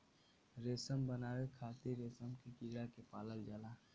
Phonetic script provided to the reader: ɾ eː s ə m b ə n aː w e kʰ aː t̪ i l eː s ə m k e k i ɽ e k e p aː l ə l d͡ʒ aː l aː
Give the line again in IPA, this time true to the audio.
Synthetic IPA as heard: ɾ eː s ə m b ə n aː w e kʰ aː t̪ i ɾ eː s ə m k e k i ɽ a k e p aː l ə l d͡ʒ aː l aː